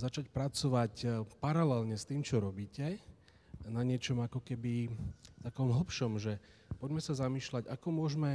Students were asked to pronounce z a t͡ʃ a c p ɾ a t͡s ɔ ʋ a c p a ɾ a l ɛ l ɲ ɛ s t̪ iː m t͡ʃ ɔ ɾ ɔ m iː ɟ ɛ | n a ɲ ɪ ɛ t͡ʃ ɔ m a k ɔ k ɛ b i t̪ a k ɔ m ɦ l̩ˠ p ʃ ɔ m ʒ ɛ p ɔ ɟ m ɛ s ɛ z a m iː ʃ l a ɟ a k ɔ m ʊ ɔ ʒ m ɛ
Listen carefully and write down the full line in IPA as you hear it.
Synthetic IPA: z a t͡ʃ a c p ɾ a t͡s ɔ ʋ a c p a ɾ a l ɛ l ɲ ɛ s t̪ iː m t͡ʃ ɔ ɾ ɔ b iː c ɛ | n a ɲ ɪ ɛ t͡ʃ ɔ m a k ɔ k ɛ b i t̪ a k ɔ m ɦ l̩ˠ p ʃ ɔ m ʒ ɛ p ɔ ɟ m ɛ s a z a m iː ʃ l a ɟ a k ɔ m ʊ ɔ ʒ m ɛ